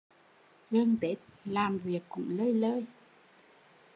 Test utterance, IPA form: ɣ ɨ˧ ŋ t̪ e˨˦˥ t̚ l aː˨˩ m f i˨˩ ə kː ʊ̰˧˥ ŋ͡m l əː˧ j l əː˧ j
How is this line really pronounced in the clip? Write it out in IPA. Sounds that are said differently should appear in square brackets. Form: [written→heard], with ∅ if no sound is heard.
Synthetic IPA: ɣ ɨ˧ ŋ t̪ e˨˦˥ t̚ l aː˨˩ m [f→v] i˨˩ ə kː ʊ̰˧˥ ŋ͡m l əː˧ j l əː˧ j